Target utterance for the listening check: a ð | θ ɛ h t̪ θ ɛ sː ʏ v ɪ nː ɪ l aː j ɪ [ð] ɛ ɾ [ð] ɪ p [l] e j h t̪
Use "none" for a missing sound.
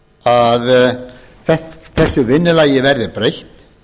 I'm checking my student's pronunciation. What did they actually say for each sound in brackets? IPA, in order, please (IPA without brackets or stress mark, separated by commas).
v, ð, ɾ